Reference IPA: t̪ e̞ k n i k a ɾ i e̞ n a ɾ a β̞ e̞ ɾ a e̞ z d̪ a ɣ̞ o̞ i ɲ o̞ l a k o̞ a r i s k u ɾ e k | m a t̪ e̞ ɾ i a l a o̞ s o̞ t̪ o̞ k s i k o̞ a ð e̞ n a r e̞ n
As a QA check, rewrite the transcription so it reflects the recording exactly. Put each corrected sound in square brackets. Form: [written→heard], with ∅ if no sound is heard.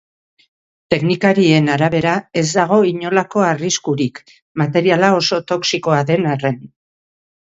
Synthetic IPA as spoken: t̪ e̞ k n i k a ɾ i e̞ n a ɾ a β̞ e̞ ɾ a e̞ z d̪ a ɣ̞ o̞ i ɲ o̞ l a k o̞ a r i s k u ɾ [e→i] k | m a t̪ e̞ ɾ i a l a o̞ s o̞ t̪ o̞ k s i k o̞ a ð e̞ n a r e̞ n